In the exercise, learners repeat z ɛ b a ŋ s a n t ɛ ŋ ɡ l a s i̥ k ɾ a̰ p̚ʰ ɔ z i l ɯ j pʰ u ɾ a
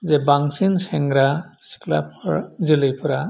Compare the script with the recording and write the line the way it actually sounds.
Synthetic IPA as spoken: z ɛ b a ŋ s i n s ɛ ŋ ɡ ɾ a s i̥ k l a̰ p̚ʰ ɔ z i l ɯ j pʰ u ɾ a

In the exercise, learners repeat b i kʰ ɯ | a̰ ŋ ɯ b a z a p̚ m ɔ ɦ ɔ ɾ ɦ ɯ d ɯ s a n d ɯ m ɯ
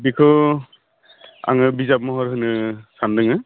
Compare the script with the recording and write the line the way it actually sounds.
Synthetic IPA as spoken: b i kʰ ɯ | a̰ ŋ ɯ b i z a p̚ m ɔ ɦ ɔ ɾ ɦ ɯ n ɯ s a n d ɯ ŋ ɯ

